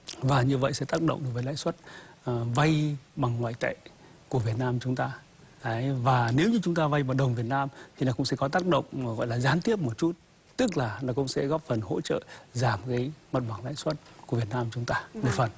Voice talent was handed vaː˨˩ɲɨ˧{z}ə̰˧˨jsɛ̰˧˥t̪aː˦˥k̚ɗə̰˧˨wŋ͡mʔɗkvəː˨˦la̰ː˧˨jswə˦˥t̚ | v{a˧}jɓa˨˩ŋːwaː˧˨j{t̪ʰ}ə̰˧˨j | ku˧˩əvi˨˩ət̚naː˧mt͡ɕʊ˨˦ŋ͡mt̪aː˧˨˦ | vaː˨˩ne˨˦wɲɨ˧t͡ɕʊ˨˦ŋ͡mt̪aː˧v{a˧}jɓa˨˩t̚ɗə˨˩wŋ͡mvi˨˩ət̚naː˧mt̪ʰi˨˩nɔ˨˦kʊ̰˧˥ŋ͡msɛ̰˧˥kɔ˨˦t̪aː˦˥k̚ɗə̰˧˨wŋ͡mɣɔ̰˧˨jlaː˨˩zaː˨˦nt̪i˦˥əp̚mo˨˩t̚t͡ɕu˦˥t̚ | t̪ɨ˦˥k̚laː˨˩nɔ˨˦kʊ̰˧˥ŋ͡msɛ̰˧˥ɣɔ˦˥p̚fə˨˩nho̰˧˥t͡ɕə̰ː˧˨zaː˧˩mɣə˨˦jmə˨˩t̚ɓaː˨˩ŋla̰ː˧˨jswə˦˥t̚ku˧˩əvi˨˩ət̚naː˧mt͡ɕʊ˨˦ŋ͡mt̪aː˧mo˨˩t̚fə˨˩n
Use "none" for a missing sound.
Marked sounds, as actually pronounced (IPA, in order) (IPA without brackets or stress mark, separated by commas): v, a˧, t̪, a˧